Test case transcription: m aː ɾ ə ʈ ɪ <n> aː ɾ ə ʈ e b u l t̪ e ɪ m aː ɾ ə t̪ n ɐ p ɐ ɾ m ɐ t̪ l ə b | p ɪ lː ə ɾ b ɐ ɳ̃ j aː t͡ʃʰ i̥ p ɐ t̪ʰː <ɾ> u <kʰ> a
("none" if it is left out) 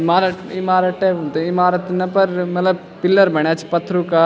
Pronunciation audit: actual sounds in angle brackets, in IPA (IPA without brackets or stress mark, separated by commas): m, ɾ, k